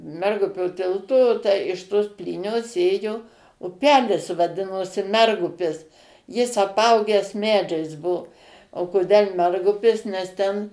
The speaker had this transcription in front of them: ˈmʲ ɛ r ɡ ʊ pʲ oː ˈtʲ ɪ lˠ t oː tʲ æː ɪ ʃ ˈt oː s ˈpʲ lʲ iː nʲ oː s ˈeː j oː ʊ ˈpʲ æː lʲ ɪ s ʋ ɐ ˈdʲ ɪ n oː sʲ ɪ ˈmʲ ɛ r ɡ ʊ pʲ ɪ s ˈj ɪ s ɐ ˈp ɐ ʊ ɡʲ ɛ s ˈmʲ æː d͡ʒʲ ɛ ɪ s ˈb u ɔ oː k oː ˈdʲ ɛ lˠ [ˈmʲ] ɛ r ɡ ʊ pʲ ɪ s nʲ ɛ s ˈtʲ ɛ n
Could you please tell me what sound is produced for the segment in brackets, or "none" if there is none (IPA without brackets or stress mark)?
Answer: mʲ